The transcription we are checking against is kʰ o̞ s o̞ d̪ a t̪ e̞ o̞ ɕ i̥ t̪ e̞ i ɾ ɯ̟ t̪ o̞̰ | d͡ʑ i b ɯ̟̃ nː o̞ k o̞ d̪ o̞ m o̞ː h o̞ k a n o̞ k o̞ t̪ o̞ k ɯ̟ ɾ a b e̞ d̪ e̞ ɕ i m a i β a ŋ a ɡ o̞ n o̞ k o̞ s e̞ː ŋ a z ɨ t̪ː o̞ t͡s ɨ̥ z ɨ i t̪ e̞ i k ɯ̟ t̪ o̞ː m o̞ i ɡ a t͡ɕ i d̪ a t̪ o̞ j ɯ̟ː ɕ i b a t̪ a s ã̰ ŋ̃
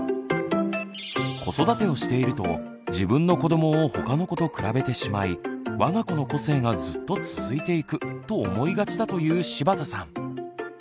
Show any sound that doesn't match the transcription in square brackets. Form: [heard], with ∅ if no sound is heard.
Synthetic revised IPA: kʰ o̞ s o̞ d̪ a t̪ e̞ o̞ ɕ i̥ t̪ e̞ i ɾ ɯ̟ t̪ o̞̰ | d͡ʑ i b ɯ̟̃ nː o̞ k o̞ d̪ o̞ m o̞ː h o̞ k a n o̞ k o̞ t̪ o̞ k ɯ̟ ɾ a b e̞ [t̪] e̞ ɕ i m a i β a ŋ a [k] o̞ n o̞ k o̞ s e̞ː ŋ a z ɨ t̪ː o̞ t͡s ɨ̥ z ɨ i t̪ e̞ i k ɯ̟ t̪ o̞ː m o̞ i ɡ a t͡ɕ i d̪ a t̪ o̞ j ɯ̟ː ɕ i b a t̪ a s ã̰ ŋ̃